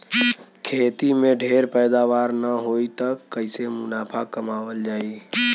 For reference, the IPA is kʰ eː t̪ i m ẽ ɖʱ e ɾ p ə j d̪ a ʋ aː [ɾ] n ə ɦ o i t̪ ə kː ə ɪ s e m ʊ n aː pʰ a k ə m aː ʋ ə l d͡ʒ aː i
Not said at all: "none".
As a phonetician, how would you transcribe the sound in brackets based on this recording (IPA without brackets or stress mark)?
ɾ